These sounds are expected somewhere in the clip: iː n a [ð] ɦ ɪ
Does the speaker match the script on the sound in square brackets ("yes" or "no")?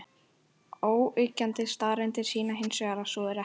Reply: no